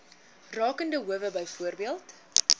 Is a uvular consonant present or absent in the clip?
absent